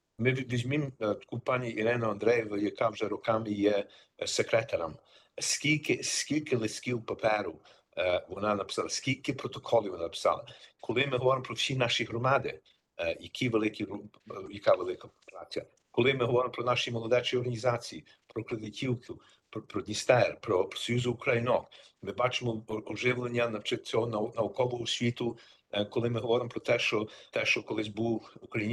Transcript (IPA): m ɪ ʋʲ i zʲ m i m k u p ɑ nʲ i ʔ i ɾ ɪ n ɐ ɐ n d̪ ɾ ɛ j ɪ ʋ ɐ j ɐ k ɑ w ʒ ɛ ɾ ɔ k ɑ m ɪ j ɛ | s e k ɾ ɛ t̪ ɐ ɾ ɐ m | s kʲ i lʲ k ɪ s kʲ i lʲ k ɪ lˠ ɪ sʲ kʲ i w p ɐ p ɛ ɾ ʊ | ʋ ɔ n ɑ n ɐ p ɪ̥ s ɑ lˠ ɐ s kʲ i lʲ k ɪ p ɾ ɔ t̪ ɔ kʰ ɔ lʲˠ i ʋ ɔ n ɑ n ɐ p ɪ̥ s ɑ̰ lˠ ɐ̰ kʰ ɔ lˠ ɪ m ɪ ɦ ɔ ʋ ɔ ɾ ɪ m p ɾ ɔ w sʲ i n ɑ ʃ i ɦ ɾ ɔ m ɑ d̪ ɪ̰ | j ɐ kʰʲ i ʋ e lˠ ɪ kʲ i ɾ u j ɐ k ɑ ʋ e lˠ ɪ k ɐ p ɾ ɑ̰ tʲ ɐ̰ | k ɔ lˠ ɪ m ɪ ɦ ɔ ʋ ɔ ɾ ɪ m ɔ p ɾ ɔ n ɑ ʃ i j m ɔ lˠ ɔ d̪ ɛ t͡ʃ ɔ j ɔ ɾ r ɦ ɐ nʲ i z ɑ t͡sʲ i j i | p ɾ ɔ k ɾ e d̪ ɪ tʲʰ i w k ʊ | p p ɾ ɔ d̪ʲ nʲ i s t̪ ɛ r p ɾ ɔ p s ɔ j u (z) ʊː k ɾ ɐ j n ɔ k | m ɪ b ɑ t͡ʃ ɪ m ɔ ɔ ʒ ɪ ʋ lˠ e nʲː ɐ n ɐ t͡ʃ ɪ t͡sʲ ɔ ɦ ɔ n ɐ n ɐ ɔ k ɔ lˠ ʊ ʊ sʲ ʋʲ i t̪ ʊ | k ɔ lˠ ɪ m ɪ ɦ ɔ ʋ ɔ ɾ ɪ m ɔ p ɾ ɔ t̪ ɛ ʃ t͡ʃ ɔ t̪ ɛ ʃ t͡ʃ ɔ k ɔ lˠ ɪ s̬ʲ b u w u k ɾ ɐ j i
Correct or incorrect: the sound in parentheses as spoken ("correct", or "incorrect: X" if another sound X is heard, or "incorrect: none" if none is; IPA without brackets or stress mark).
correct